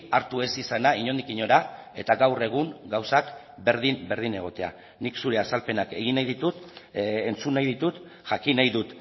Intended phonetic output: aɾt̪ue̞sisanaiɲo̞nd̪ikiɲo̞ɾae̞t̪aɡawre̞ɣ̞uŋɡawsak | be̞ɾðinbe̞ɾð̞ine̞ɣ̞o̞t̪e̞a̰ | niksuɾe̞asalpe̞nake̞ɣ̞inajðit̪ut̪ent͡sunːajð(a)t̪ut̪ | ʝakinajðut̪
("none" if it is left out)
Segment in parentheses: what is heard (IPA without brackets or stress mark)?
i